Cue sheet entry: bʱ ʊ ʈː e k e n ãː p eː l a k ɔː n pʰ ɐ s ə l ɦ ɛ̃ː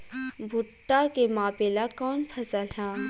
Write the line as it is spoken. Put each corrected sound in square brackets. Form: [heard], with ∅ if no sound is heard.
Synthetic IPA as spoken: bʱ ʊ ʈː [a] k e [m] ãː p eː l a k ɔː n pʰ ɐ s ə l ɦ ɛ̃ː